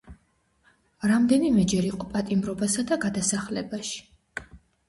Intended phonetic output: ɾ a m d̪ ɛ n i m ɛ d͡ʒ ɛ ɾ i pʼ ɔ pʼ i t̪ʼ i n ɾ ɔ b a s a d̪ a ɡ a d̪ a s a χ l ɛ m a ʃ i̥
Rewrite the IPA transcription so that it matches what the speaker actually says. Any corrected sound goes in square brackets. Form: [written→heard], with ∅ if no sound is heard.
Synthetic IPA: ɾ a m d̪ ɛ n i m ɛ d͡ʒ ɛ ɾ i [pʼ→qʼ] ɔ pʼ [i→a] t̪ʼ i [n→m] ɾ ɔ b a s a d̪ a ɡ a d̪ a s a χ l ɛ [m→b] a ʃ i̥